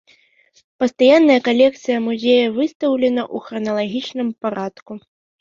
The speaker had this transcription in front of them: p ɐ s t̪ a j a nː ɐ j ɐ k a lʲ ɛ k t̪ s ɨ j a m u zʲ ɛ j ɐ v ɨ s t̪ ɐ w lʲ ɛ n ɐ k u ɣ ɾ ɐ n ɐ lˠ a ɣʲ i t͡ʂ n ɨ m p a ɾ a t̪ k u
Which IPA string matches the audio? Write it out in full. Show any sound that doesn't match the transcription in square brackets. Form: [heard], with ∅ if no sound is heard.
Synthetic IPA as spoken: p ɐ s t̪ a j a nː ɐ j ɐ k a lʲ ɛ k t̪ s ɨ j [ɐ] m u zʲ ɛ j ɐ v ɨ s t̪ ɐ w lʲ ɛ n ɐ [ʔ] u [x] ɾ ɐ n ɐ lˠ a ɣʲ i t͡ʂ n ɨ m p a ɾ a t̪ k u